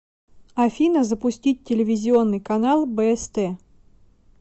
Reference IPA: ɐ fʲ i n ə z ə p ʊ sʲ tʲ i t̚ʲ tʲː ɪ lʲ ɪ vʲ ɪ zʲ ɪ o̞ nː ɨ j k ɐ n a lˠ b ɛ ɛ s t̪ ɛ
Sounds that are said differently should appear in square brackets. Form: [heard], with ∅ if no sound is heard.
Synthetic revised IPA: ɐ fʲ i n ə z ə p ʊ sʲ tʲ i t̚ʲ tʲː ɪ lʲ ɪ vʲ ɪ zʲ ɪ o̞ nː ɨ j k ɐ n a lˠ b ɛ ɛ s t̪ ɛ